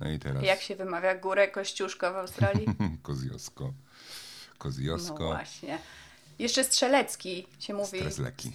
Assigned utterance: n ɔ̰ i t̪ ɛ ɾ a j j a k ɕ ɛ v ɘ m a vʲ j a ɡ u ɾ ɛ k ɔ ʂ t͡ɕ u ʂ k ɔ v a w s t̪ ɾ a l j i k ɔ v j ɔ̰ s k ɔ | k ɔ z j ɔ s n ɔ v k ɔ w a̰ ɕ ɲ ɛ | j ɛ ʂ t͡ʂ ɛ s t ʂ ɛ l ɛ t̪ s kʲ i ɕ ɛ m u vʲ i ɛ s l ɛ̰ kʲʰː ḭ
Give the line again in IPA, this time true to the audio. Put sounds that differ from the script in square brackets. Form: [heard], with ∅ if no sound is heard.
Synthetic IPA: n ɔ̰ i t̪ ɛ ɾ a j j a k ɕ ɛ v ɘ m a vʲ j a ɡ u ɾ ɛ k ɔ [ɕ] t͡ɕ u ʂ k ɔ v a w s t̪ ɾ a l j i k ɔ [z] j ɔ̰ s k ɔ | k ɔ z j ɔ s n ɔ v k ɔ w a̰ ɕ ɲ ɛ | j ɛ ʂ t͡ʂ ɛ s t ʂ ɛ l ɛ t̪ s kʲ i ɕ ɛ m u vʲ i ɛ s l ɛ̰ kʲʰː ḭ